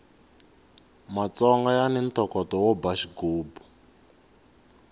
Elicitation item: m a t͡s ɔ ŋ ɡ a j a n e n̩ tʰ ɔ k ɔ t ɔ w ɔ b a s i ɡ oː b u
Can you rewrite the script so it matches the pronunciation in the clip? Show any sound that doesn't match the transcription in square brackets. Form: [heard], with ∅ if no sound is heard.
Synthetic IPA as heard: m a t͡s ɔ ŋ ɡ a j a n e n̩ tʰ ɔ k ɔ t ɔ w ɔ b a [ʃ] i ɡ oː b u